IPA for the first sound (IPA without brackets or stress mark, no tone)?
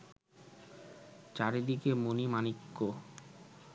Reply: t͡ɕ